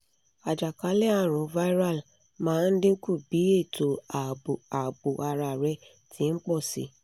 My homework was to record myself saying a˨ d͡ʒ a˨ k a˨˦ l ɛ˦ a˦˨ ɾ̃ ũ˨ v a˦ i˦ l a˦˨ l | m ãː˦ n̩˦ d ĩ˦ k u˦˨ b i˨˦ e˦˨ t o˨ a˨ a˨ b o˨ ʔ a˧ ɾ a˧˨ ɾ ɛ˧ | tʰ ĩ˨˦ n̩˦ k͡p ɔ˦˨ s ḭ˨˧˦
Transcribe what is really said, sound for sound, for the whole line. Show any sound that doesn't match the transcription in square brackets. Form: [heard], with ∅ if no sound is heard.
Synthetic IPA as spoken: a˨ d͡ʒ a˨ k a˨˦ l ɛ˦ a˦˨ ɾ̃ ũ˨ v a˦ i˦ [ɾ] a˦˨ l | m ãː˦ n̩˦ d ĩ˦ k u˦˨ b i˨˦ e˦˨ t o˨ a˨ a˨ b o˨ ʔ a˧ ɾ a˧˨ ɾ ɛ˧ | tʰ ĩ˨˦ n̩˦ k͡p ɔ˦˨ s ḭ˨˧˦